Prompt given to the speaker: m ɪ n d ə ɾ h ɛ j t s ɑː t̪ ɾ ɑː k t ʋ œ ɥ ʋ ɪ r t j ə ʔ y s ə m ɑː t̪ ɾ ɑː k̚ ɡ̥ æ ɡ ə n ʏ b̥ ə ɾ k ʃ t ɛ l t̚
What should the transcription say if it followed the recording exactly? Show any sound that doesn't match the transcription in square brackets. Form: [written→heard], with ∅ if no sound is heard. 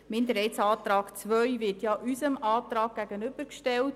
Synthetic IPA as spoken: m ɪ n d ə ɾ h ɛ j t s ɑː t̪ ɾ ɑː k [t→t͡s] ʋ œ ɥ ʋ ɪ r t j [ə→ɑ] ʔ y s ə m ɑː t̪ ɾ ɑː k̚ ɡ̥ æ ɡ ə n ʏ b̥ ə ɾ k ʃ t ɛ l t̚